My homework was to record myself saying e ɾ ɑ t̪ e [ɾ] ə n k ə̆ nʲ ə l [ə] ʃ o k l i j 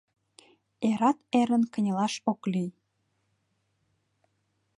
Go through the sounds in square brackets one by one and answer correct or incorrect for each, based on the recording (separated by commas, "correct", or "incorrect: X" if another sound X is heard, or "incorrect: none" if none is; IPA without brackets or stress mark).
correct, incorrect: ɑ